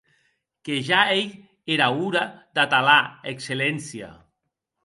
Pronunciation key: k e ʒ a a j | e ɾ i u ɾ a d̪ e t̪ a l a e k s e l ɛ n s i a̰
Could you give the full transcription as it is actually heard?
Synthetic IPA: k e ʒ a e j | e ɾ a u ɾ a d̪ a t̪ a l a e k s e l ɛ n s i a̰